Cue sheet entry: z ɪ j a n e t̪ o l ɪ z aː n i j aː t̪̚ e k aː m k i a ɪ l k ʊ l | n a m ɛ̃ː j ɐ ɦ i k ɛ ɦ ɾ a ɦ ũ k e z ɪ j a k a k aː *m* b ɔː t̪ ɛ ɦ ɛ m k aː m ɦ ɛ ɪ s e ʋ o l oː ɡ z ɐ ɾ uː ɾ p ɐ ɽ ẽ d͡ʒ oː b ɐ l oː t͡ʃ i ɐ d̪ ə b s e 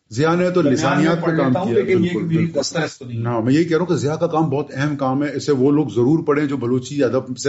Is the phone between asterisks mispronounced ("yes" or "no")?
no